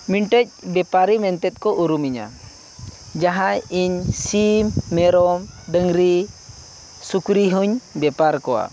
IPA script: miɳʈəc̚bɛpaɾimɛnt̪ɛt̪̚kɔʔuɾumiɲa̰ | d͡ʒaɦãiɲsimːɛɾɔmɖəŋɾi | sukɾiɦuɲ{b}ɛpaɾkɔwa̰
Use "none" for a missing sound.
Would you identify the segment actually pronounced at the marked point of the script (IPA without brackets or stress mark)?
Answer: b